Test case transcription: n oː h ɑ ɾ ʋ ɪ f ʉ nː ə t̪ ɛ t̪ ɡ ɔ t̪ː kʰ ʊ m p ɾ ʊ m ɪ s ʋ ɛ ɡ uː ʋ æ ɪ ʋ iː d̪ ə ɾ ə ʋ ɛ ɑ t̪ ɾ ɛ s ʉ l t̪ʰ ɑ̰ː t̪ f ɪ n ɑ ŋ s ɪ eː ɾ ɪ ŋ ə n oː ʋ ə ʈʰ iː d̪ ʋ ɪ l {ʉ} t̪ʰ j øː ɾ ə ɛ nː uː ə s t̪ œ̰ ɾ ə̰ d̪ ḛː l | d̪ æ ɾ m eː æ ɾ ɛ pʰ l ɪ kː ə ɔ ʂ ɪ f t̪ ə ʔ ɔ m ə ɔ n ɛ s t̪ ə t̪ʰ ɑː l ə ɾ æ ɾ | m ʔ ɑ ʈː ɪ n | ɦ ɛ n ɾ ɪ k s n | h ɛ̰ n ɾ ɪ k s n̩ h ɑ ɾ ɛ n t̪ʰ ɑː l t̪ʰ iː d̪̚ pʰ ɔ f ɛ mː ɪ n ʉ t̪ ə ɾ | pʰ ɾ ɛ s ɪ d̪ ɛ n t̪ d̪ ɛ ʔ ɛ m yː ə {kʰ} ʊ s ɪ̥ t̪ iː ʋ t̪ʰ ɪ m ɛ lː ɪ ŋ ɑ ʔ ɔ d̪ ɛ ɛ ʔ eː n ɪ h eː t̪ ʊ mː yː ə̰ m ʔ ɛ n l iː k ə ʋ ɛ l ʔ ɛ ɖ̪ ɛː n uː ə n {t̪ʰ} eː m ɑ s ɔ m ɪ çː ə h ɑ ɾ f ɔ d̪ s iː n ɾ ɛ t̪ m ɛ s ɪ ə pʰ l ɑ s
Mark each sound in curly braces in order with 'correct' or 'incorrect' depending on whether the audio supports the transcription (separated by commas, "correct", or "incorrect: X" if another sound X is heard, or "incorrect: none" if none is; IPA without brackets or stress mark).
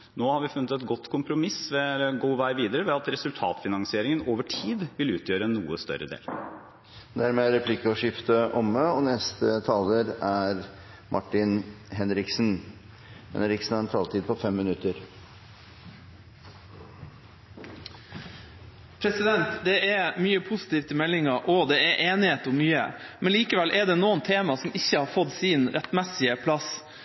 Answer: incorrect: ʉː, incorrect: pʰ, correct